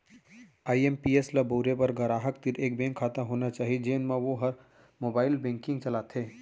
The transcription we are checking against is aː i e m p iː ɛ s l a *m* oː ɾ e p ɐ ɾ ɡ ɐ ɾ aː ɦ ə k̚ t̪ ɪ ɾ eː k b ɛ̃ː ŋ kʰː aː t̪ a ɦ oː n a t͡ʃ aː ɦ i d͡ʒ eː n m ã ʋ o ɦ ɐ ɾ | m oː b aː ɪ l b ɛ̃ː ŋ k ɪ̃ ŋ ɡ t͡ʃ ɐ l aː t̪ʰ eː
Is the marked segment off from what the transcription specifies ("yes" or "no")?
yes